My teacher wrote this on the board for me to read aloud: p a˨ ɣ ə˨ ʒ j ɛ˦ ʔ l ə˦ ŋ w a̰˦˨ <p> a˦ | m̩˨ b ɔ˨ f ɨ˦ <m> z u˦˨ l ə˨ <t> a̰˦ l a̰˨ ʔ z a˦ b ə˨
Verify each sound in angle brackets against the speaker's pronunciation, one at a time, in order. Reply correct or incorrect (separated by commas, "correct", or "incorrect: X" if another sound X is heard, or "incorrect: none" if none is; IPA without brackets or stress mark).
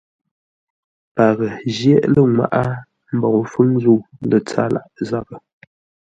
incorrect: ʔ, incorrect: ŋ, incorrect: t͡s